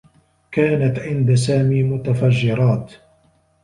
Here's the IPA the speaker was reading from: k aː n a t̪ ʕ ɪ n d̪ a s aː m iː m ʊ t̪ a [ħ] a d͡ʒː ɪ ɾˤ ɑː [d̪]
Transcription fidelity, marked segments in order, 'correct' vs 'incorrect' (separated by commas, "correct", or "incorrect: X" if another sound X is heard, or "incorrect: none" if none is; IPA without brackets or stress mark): incorrect: f, incorrect: t̪